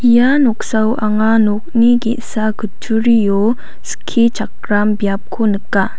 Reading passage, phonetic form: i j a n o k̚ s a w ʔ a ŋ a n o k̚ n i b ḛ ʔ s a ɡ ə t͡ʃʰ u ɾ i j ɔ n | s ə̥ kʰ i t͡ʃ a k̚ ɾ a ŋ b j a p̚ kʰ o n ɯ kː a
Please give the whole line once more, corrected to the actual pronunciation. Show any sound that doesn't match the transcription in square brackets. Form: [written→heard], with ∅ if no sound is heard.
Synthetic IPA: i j a n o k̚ s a w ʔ a ŋ a n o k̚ n i [b→ɡ] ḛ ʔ s a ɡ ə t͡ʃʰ u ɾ i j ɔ [n→∅] | s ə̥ kʰ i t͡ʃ a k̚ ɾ a [ŋ→m] b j a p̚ kʰ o n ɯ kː a